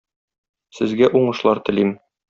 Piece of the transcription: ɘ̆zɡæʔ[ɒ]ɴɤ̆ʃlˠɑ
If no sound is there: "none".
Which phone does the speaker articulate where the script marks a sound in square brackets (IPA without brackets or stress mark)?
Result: u